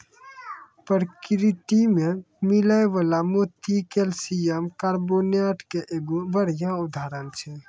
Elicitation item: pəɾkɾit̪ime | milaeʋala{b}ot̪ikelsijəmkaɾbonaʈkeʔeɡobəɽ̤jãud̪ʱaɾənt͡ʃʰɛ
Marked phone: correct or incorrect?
incorrect